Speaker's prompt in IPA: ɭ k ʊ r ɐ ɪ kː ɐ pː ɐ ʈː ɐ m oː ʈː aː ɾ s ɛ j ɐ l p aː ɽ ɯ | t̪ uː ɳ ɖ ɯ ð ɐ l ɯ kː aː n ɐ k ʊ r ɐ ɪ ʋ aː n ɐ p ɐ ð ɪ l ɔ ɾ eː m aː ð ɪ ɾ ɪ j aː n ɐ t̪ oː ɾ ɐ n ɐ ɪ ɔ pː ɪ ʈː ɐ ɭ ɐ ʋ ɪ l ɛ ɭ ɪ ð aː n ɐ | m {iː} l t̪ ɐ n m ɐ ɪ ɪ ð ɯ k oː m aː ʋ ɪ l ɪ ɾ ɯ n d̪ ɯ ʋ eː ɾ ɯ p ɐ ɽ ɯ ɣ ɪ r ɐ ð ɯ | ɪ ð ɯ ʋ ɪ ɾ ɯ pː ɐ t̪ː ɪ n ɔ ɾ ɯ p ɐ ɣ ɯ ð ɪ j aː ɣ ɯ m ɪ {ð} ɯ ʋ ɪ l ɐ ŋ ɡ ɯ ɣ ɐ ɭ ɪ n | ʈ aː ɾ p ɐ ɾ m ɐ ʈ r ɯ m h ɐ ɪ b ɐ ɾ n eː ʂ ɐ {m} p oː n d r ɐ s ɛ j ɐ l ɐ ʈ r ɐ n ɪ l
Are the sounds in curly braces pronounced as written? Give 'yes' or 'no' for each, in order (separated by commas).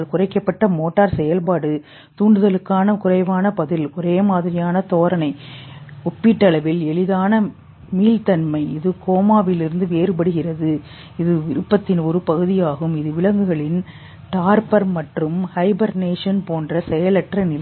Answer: yes, yes, no